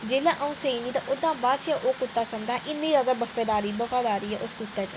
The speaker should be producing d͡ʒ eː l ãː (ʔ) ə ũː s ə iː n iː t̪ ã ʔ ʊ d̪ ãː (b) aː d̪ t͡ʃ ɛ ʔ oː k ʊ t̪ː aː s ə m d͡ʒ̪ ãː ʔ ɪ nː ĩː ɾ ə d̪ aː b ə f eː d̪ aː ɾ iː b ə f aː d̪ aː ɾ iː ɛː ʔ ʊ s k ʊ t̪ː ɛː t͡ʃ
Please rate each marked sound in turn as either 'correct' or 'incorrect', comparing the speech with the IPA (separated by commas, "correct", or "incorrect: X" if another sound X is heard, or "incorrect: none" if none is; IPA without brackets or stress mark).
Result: correct, correct